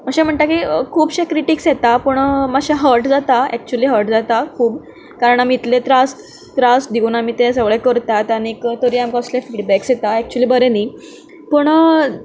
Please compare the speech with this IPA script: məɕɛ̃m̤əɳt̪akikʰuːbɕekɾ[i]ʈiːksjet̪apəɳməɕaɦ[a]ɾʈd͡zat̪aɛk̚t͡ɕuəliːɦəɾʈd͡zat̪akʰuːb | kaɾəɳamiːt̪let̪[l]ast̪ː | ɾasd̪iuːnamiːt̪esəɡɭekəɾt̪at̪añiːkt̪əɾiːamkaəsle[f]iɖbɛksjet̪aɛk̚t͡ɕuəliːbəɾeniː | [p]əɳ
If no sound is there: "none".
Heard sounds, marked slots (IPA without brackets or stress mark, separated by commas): i, ə, ɾ, f, p